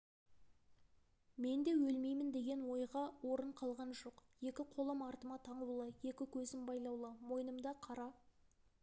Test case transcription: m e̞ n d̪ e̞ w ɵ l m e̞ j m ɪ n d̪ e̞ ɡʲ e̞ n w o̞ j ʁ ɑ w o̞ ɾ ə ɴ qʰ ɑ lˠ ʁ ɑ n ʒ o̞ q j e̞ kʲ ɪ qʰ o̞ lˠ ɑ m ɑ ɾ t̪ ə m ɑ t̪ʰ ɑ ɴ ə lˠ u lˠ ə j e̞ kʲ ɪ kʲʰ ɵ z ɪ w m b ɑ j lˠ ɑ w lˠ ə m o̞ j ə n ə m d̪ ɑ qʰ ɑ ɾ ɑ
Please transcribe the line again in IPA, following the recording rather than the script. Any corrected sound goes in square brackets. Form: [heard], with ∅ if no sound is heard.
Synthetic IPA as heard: m e̞ n d̪ e̞ w ɵ l m e̞ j m ɪ n d̪ e̞ ɡʲ e̞ n w o̞ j ʁ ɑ w o̞ ɾ ə ɴ qʰ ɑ lˠ ʁ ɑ n ʒ o̞ q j e̞ kʲ ɪ qʰ o̞ lˠ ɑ m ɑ ɾ t̪ ə m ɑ t̪ʰ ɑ ɴ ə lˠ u lˠ ə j e̞ kʲ ɪ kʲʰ ɵ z ɪ [∅] m b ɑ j lˠ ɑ w lˠ ə m o̞ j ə n ə m d̪ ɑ qʰ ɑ ɾ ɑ

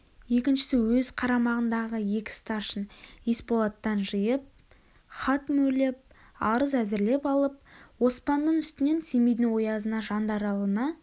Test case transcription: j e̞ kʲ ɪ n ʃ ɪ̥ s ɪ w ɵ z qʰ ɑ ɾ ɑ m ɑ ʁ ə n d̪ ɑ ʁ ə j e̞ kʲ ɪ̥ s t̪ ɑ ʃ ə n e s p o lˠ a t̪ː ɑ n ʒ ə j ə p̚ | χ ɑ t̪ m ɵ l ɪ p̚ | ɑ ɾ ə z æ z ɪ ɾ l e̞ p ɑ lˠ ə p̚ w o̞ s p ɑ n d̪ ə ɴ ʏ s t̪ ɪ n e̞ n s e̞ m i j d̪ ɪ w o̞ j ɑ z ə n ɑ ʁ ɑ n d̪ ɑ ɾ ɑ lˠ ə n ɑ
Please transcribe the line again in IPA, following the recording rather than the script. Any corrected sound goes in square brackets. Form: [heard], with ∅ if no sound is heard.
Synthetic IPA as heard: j e̞ kʲ ɪ n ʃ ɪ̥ s ɪ w ɵ z qʰ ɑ ɾ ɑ m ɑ ʁ ə n d̪ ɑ ʁ ə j e̞ kʲ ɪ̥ s t̪ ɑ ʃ ə n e s p o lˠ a t̪ː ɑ n ʒ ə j ə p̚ | χ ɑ t̪ m ɵ l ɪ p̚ | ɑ ɾ ə z æ z ɪ ɾ l e̞ p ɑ lˠ ə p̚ w o̞ s p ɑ n d̪ ə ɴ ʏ s t̪ ɪ n e̞ n s e̞ m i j d̪ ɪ w o̞ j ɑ z ə n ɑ [ʒ] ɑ n d̪ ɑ ɾ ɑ lˠ ə n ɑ

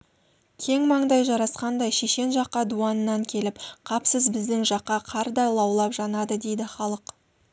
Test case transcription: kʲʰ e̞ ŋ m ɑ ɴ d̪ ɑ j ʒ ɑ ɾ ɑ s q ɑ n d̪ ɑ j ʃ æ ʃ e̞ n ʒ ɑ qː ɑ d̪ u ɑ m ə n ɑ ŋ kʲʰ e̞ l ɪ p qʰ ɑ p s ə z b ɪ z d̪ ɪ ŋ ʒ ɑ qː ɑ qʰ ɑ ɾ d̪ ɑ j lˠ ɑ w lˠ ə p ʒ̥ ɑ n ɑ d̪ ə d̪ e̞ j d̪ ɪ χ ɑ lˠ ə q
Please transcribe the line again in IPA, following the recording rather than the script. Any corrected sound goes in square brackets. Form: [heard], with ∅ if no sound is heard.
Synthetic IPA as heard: kʲʰ e̞ ŋ m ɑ ɴ d̪ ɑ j ʒ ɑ ɾ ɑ s q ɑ n d̪ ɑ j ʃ [e] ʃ e̞ n ʒ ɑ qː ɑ d̪ u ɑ [n] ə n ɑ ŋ kʲʰ e̞ l ɪ p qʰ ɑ p s ə z b ɪ z d̪ ɪ ŋ ʒ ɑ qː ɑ qʰ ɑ ɾ d̪ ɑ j lˠ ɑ w lˠ [ɑ] p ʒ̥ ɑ n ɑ d̪ ə d̪ e̞ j d̪ ɪ χ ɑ lˠ ə q

